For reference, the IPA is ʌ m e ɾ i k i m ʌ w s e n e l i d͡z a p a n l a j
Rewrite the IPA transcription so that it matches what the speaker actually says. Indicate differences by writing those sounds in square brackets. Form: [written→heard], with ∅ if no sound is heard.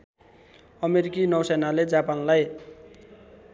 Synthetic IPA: ʌ m e ɾ i k i [m→n] ʌ w s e n [e→a] l [i→e] d͡z a p a n l a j